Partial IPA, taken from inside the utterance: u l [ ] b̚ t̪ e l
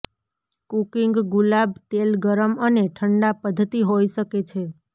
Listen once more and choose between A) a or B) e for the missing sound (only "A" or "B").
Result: A